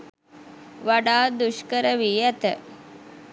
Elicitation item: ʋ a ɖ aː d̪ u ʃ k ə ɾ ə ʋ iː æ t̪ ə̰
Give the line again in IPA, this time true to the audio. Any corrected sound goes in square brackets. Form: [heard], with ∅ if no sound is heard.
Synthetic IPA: ʋ a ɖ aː d̪ u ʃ k ə ɾ ə ʋ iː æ t̪ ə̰